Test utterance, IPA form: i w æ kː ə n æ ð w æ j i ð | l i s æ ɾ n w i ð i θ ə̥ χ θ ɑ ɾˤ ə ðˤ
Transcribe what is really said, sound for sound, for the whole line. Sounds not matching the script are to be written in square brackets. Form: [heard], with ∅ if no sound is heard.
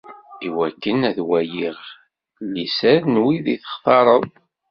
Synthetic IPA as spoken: i w æ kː ə n æ ð w æ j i [ʁ] | l i s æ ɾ n w i ð i θ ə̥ χ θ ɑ ɾˤ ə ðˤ